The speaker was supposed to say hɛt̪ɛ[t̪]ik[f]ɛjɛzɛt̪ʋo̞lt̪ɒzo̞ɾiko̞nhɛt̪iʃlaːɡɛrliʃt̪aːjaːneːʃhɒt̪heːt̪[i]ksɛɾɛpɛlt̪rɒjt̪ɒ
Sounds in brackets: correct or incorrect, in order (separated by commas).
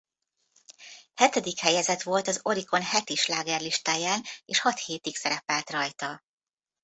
incorrect, incorrect, correct